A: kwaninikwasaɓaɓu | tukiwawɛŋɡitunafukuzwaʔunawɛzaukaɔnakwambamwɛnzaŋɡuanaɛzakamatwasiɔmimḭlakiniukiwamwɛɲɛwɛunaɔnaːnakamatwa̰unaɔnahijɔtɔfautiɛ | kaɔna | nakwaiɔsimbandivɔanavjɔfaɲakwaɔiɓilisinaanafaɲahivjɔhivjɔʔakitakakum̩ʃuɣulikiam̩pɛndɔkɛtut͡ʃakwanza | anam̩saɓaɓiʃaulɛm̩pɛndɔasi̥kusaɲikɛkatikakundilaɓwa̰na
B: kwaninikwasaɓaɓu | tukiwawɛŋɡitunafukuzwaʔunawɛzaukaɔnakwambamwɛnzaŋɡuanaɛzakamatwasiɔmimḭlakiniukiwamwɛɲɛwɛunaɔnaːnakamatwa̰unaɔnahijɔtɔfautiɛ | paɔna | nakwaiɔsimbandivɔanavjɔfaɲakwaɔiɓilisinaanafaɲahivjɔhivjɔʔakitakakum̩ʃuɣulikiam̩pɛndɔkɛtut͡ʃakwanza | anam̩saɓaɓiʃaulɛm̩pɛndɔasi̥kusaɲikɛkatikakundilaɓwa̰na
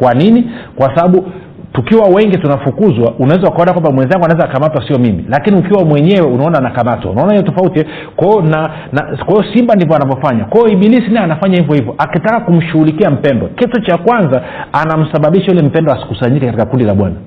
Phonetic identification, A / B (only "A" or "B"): A